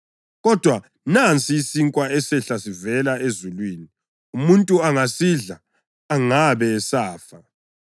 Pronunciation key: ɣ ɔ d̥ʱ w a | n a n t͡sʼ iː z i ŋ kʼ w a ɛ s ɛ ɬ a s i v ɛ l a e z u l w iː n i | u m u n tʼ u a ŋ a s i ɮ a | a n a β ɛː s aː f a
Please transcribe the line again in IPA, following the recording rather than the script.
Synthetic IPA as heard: ɣ ɔ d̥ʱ w a | n a n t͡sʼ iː s i ŋ kʼ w a ɛ s ɛ ɬ a s i v ɛ l a e z u l w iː n i | u m u n tʼ u a ŋ a s i ɮ a | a ŋ a β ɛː s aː f a